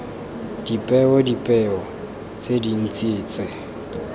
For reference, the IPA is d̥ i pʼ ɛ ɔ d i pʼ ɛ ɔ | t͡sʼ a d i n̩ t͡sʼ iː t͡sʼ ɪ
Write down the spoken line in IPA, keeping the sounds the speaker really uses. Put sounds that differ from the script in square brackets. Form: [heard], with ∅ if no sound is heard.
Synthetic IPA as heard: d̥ i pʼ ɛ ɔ d i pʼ ɛ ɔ | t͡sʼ [e] d i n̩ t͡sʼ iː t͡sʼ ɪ